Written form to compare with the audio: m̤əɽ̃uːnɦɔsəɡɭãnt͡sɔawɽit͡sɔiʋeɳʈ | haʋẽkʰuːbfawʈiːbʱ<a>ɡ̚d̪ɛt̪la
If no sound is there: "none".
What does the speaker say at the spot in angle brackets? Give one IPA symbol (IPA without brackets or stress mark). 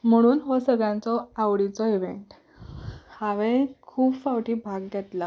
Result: a